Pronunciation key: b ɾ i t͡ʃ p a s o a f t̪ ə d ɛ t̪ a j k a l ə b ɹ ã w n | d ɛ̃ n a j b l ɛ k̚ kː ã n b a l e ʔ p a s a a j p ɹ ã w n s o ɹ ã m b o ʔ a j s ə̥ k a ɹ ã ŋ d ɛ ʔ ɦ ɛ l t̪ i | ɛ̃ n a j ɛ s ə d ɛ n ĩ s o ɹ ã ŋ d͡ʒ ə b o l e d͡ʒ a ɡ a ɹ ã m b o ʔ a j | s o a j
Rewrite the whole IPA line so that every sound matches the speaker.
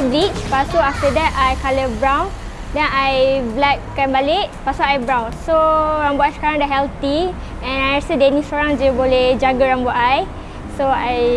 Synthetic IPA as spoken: b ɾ i t͡ʃ p a s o a f t̪ ə d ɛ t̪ a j k a l ə b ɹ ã w n | d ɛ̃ n a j b l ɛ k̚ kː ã n b a l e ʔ p a s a a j b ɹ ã w n s o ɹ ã m b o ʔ a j s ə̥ k a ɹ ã ŋ d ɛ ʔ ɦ ɛ l t̪ i | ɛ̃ n a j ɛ s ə d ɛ n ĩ s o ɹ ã ŋ d͡ʒ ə b o l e d͡ʒ a ɡ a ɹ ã m b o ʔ a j | s o a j